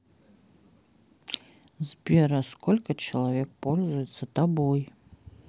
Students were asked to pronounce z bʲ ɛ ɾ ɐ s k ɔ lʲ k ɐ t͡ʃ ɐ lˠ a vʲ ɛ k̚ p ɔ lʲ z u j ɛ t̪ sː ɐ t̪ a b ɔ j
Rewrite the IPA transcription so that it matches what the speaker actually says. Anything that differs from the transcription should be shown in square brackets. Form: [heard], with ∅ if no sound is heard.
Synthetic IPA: z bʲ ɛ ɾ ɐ s k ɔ lʲ k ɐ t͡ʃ ɐ lˠ a vʲ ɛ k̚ p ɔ lʲ z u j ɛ t̪ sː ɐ t̪ a b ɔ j